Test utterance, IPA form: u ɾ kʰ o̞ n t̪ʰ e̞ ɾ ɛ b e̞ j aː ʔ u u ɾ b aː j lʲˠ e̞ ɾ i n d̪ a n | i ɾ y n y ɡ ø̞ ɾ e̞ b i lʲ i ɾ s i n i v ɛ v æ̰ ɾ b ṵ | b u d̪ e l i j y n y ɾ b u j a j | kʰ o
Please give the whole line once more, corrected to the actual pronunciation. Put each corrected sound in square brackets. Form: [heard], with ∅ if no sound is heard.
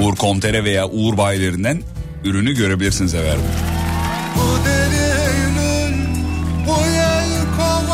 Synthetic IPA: u ɾ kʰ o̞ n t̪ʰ e̞ ɾ ɛ [v] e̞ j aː ʔ u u ɾ b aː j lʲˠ e̞ ɾ i n d̪ [æ] n | [y] ɾ y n y [ɟ] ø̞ ɾ e̞ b i lʲ i ɾ s i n i [z] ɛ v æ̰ ɾ b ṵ | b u d̪ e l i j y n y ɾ b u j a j | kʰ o